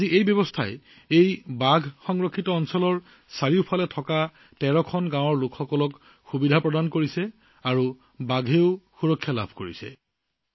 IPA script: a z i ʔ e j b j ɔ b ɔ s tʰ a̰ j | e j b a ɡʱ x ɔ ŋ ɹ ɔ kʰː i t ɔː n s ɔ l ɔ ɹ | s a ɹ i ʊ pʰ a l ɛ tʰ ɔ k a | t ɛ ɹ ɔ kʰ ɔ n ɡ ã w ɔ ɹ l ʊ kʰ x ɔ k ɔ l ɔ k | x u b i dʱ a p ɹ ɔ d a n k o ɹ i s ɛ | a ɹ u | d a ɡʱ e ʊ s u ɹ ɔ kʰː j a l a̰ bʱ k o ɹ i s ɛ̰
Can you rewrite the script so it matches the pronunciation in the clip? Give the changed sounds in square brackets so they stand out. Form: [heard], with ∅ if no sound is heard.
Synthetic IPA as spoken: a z i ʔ e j b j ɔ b ɔ s tʰ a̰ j | e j b a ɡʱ x ɔ ŋ ɹ ɔ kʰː i t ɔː n s ɔ l ɔ ɹ | s a ɹ i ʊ pʰ a l ɛ tʰ ɔ k a | t ɛ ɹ ɔ kʰ ɔ n ɡ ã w ɔ ɹ l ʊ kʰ x ɔ k ɔ l ɔ k | x u b i dʱ a p ɹ ɔ d a n k o ɹ i s ɛ | a ɹ u | [b] a ɡʱ e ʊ [x] u ɹ ɔ kʰː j a l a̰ bʱ k o ɹ i s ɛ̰